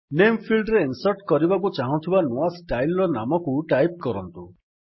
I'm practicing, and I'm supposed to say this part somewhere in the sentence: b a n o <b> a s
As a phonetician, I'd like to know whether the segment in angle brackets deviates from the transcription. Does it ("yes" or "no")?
yes